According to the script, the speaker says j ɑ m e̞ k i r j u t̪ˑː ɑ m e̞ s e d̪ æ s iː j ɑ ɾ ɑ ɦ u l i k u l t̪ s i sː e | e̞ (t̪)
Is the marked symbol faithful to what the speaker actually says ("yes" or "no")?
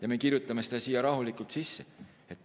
yes